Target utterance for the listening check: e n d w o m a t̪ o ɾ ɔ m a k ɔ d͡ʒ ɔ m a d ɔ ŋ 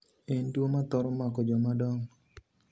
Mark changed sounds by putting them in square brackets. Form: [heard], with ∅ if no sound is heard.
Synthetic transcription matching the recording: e n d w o m a t̪ [ɔ] ɾ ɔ m a k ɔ d͡ʒ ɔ m a d ɔ ŋ